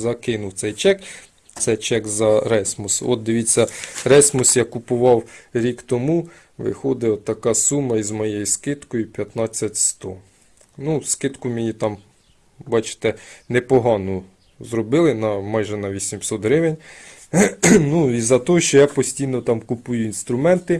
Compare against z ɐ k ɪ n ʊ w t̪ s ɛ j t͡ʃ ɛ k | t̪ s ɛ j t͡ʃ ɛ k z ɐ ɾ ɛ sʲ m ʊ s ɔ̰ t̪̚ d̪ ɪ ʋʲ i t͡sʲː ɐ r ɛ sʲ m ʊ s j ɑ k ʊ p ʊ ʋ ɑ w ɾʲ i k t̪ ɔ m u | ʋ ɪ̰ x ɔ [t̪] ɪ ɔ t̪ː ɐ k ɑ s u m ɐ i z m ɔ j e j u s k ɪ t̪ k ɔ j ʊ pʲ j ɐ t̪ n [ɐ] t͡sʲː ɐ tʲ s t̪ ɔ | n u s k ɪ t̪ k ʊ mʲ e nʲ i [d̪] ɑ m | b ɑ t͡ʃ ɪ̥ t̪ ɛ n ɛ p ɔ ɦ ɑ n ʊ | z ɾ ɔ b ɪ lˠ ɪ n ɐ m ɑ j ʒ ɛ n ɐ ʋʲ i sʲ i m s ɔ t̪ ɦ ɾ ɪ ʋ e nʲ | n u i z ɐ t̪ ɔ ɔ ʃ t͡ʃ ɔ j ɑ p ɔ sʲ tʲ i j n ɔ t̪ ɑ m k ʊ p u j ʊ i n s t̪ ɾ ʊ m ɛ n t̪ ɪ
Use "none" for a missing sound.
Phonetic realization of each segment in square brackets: d̪, ɑ, t̪

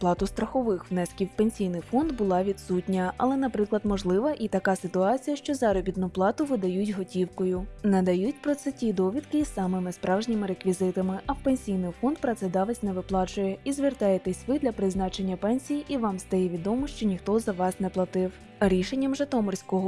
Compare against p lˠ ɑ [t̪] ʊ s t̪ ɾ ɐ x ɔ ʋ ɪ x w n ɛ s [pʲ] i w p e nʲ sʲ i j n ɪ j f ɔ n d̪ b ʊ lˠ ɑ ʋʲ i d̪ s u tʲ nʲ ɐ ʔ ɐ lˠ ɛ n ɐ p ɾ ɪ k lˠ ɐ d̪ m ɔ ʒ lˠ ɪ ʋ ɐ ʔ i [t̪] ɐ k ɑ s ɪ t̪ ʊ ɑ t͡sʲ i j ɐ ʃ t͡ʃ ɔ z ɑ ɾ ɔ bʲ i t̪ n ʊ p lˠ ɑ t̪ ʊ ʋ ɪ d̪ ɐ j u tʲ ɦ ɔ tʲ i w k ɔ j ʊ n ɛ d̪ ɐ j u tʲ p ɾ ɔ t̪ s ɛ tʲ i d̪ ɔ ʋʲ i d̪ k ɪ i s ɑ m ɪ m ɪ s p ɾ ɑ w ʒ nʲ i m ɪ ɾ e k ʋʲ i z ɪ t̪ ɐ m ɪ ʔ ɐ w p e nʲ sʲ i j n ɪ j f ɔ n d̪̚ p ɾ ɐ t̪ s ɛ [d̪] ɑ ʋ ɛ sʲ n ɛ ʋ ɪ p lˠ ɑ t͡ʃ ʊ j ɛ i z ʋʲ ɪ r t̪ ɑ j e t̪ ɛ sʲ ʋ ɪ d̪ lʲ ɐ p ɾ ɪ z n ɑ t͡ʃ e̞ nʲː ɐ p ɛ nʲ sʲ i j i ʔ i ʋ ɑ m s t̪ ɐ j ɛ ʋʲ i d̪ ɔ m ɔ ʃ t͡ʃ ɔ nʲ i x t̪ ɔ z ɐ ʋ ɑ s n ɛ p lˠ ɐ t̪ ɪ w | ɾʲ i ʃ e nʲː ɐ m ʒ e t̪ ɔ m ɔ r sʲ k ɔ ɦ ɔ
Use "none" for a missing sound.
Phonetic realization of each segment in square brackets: t̪, kʲ, t̪, d̪

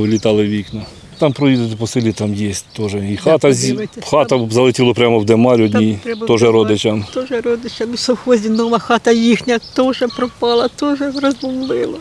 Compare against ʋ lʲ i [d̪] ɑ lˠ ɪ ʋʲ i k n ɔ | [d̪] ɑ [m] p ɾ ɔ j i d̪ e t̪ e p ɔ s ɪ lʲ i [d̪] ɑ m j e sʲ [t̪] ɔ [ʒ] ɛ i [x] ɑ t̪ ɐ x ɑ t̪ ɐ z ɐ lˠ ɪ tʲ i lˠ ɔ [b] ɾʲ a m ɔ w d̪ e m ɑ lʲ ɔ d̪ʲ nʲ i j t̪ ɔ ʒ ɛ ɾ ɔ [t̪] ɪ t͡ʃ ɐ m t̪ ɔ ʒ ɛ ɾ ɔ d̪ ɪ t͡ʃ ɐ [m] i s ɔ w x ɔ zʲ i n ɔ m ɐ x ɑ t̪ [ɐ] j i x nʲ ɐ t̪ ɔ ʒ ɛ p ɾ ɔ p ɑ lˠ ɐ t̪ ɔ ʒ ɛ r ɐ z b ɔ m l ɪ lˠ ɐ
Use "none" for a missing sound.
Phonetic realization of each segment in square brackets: t̪, t̪, m, t̪, t̪, ʒ, x, p, d̪, m, ɐ

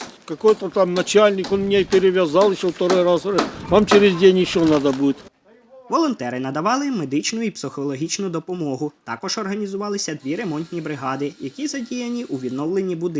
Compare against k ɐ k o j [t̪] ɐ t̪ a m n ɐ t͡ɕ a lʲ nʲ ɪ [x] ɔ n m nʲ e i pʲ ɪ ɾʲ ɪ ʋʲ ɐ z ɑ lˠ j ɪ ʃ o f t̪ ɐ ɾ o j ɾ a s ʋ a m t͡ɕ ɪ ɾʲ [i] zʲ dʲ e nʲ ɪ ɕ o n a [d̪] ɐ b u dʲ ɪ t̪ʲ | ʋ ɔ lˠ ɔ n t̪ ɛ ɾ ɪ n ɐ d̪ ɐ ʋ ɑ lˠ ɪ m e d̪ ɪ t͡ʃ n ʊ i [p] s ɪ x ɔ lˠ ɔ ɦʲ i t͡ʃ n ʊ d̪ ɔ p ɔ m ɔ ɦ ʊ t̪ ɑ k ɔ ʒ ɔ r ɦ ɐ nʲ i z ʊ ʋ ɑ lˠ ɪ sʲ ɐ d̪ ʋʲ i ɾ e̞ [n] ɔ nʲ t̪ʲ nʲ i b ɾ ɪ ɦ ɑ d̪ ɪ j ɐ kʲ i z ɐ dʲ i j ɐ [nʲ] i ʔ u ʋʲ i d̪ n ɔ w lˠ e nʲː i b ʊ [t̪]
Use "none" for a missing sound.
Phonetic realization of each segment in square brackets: t̪, k, ɪ, d̪, p, m, nʲ, d̪

